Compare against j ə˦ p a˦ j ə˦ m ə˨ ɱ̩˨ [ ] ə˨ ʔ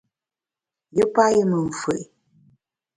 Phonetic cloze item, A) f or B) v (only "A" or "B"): A